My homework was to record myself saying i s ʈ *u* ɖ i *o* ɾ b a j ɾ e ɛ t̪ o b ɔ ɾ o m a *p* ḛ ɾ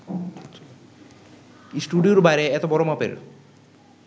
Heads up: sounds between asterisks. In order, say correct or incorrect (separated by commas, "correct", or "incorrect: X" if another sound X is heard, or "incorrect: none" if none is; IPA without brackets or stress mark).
correct, correct, correct